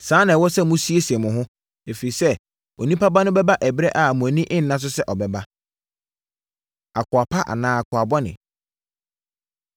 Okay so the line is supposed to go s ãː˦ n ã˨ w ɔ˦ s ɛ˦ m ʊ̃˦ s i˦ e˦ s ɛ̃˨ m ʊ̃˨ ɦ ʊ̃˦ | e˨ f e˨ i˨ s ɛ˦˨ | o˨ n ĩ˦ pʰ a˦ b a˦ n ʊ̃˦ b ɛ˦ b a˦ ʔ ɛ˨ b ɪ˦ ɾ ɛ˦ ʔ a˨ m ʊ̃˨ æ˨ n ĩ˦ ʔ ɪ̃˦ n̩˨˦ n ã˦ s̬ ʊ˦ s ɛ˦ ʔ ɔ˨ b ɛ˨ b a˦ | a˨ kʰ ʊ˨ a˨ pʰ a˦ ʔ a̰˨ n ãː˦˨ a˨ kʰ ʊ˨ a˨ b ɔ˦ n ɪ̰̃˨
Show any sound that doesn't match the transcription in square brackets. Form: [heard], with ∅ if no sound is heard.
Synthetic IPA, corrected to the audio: s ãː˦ n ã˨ w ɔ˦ s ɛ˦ m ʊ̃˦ s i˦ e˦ s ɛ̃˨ m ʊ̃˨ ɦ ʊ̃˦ | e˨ f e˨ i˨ s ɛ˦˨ | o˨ n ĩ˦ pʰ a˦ b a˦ n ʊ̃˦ b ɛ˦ b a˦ ʔ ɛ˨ b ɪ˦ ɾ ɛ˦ ʔ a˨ m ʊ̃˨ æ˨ n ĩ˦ ʔ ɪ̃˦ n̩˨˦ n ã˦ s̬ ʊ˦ s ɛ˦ ʔ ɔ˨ b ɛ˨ b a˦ | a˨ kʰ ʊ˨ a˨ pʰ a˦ ʔ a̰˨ n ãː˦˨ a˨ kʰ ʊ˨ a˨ b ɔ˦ n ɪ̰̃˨